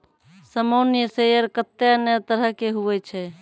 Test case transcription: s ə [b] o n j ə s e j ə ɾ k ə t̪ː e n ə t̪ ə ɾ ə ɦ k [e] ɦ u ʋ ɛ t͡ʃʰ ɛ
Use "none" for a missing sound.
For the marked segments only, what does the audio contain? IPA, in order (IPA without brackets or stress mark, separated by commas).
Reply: m, e